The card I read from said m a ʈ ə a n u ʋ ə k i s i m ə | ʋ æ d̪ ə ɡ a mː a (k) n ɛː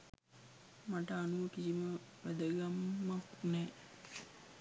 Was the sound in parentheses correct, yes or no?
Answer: yes